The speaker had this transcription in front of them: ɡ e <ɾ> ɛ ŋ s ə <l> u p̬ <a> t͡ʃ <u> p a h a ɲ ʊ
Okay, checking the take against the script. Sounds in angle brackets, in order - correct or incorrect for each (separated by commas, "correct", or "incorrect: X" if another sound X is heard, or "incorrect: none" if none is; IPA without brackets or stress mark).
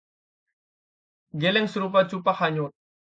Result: incorrect: l, incorrect: ɾ, correct, correct